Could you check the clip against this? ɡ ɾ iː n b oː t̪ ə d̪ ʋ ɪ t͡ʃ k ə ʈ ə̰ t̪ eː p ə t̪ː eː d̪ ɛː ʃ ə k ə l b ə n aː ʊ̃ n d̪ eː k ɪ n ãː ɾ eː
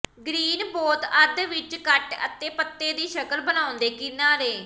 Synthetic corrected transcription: ɡ ɾ iː n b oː t̪ ə d̪ ʋ ɪ t͡ʃ k ə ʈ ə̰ t̪ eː p ə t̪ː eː d̪ iː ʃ ə k ə l b ə n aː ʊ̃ n d̪ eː k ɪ n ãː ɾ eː

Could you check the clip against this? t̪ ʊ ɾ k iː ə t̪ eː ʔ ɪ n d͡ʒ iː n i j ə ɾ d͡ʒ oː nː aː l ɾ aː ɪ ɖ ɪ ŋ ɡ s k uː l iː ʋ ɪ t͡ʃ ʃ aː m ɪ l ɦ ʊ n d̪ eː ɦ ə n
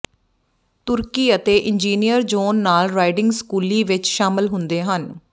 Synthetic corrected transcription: t̪ ʊ ɾ k iː ə t̪ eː ʔ ɪ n d͡ʒ iː n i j ə ɾ d͡ʒ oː nː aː l ɾ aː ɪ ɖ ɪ ŋ ɡ s k uː l iː ʋ ɪ t͡ʃ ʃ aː m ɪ l ɦ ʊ n d̪ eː ɦ ə n

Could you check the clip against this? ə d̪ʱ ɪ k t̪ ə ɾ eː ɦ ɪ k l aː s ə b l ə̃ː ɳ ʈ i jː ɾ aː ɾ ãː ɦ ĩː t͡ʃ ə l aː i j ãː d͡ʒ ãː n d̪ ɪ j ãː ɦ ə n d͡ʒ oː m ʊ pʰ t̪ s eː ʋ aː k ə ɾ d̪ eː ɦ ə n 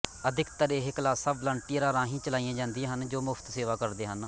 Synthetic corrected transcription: ə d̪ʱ ɪ k t̪ ə ɾ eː ɦ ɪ k l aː s ə b l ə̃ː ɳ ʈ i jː ɾ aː ɾ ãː ɦ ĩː t͡ʃ ə l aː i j ãː d͡ʒ ãː n d̪ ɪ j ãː ɦ ə n d͡ʒ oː m ʊ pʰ t̪ s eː ʋ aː k ə ɾ d̪ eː ɦ ə n

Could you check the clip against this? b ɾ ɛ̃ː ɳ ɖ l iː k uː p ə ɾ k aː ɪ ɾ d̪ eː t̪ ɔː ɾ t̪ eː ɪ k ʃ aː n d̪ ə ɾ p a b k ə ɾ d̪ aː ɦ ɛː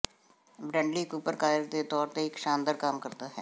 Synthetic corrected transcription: b ɾ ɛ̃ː ɳ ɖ l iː k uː p ə ɾ k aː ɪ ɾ d̪ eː t̪ ɔː ɾ t̪ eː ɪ k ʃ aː n d̪ ə ɾ k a m k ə ɾ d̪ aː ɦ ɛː

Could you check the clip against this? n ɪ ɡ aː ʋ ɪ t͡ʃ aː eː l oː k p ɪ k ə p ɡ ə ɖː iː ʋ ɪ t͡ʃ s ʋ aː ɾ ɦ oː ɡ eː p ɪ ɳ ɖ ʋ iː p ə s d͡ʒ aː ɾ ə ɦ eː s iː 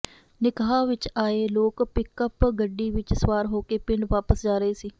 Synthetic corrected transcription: n ɪ k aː ʋ ɪ t͡ʃ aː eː l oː k p ɪ k ə p ɡ ə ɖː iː ʋ ɪ t͡ʃ s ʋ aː ɾ ɦ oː k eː p ɪ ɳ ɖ ʋ aː p ə s d͡ʒ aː ɾ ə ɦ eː s iː

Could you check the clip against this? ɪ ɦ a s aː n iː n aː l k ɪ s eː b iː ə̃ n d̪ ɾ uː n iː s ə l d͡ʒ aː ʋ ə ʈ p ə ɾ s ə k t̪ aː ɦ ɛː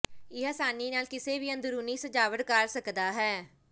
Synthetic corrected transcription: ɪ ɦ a s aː n iː n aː l k ɪ s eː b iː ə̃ n d̪ ɾ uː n iː s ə d͡ʒ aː ʋ ə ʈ k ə ɾ s ə k d̪ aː ɦ ɛː

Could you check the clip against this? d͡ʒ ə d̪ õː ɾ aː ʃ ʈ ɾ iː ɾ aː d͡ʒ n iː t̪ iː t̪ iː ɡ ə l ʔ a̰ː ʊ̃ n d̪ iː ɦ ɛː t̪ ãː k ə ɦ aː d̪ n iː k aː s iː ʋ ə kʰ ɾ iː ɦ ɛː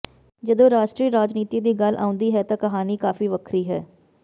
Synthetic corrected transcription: d͡ʒ ə d̪ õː ɾ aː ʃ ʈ ɾ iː ɾ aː d͡ʒ n iː t̪ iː d̪ iː ɡ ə l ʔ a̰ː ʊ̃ n d̪ iː ɦ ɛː t̪ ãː k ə ɦ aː n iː k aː f iː ʋ ə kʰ ɾ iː ɦ ɛː

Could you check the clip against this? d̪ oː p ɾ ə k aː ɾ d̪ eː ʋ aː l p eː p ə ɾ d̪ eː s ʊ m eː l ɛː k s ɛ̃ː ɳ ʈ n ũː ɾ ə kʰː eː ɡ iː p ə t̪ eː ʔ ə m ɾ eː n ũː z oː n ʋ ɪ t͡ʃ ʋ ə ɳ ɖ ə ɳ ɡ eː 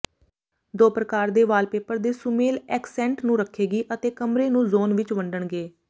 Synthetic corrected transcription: d̪ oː p ɾ ə k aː ɾ d̪ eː ʋ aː l p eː p ə ɾ d̪ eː s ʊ m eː l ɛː k s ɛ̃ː ɳ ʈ n ũː ɾ ə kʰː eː ɡ iː ʔ ə t̪ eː k ə m ɾ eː n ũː z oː n ʋ ɪ t͡ʃ ʋ ə ɳ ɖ ə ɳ ɡ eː

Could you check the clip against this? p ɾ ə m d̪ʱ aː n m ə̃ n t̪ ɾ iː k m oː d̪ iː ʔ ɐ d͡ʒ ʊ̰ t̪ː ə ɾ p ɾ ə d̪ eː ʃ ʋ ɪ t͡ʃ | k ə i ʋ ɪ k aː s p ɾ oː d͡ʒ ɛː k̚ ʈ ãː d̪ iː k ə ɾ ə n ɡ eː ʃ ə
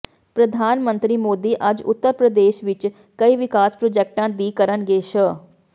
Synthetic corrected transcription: p ɾ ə d̪ʱ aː n m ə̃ n t̪ ɾ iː m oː d̪ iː ʔ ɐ d͡ʒ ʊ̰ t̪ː ə ɾ p ɾ ə d̪ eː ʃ ʋ ɪ t͡ʃ | k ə i ʋ ɪ k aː s p ɾ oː d͡ʒ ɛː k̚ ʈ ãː d̪ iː k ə ɾ ə n ɡ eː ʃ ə

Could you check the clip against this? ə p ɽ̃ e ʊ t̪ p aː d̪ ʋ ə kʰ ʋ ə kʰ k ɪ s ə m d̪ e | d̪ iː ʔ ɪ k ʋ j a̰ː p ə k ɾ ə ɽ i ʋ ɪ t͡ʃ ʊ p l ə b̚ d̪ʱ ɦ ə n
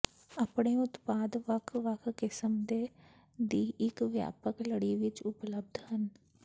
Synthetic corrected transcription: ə p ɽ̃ e ʊ t̪ p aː d̪ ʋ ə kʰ ʋ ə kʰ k ɪ s ə m d̪ e | d̪ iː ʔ ɪ k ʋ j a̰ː p ə k l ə ɽ i ʋ ɪ t͡ʃ ʊ p l ə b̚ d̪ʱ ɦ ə n

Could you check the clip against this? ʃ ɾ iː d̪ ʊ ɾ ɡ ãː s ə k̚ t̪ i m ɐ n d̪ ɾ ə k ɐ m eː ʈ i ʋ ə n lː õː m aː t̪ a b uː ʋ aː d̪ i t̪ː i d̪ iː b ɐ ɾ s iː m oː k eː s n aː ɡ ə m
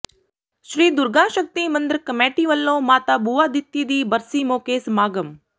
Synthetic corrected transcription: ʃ ɾ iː d̪ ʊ ɾ ɡ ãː ʃ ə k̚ t̪ i m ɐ n d̪ ɾ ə k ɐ m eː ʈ i ʋ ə lː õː m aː t̪ a b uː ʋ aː d̪ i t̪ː i d̪ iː b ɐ ɾ s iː m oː k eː s m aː ɡ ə m

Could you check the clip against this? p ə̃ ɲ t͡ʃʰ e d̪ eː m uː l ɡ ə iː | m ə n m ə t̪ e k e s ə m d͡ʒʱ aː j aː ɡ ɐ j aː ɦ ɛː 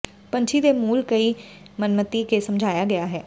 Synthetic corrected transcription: p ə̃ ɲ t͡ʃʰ i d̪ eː m uː l k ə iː | m ə n m ə t̪ i k e s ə m d͡ʒʱ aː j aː ɡ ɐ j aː ɦ ɛː

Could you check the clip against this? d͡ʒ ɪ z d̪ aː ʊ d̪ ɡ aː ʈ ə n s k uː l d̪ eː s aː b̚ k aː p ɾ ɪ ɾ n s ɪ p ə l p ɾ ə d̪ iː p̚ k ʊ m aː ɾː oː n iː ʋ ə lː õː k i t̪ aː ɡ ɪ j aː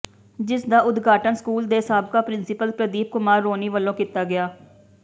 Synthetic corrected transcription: d͡ʒ ɪ s d̪ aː ʊ d̪ ɡ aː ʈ ə n s k uː l d̪ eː s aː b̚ k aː p ɾ ɪ n s ɪ p ə l p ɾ ə d̪ iː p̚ k ʊ m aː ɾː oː n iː ʋ ə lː õː k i t̪ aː ɡ ɪ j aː

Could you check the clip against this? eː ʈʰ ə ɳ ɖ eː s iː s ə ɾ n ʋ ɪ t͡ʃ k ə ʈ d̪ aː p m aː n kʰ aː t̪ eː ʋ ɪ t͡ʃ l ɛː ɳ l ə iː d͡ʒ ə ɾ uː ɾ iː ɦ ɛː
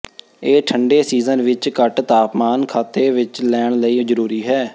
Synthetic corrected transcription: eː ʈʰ ə ɳ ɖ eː s iː z ə n ʋ ɪ t͡ʃ k ə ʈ t̪ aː p m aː n kʰ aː t̪ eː ʋ ɪ t͡ʃ l ɛː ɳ l ə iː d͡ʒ ə ɾ uː ɾ iː ɦ ɛː

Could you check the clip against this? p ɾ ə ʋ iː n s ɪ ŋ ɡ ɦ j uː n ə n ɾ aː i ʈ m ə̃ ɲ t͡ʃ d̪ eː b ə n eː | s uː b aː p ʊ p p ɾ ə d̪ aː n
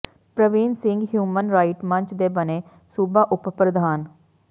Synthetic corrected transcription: p ɾ ə ʋ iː n s ɪ ŋ ɡ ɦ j uː m ə n ɾ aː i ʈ m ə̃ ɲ t͡ʃ d̪ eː b ə n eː | s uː b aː ʔ ʊ p p ɾ ə d̪ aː n

